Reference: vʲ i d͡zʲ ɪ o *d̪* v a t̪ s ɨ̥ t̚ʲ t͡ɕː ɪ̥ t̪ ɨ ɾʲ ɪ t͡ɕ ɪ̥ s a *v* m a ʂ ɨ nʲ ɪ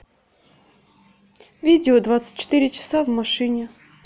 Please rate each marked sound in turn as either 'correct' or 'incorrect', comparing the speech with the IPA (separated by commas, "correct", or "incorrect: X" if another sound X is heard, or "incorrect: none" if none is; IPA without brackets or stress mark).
correct, correct